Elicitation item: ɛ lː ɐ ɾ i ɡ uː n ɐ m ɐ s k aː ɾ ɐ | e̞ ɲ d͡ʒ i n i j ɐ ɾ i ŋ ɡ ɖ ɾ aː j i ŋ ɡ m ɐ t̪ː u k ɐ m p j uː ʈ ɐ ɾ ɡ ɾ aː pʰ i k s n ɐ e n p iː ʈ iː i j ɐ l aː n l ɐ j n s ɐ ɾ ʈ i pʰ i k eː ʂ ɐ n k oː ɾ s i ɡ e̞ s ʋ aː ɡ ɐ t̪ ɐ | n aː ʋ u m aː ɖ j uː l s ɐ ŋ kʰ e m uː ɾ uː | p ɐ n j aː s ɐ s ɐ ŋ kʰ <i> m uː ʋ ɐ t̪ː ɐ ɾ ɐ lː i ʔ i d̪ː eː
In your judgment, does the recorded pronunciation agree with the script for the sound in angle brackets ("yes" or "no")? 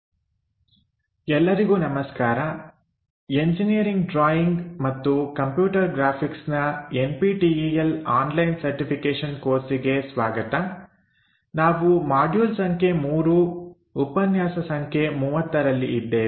no